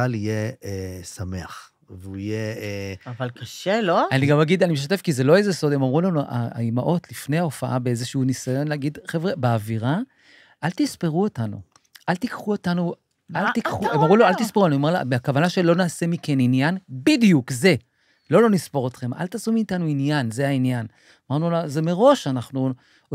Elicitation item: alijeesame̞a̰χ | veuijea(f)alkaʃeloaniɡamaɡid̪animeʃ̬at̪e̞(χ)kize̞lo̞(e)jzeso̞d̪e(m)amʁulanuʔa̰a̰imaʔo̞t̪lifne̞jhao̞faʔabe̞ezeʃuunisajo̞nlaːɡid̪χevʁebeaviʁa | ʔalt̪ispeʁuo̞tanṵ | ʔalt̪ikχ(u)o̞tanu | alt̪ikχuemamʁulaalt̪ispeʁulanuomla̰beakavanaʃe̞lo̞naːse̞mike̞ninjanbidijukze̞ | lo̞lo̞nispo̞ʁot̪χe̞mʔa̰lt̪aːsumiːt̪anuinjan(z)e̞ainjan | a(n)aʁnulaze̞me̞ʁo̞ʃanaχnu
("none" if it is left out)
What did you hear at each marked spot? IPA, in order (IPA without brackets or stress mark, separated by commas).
v, f, e, m, u, z, m